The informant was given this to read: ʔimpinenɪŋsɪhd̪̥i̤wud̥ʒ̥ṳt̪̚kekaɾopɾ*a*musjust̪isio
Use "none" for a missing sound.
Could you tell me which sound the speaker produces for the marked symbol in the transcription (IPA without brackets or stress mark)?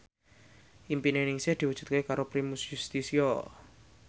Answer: i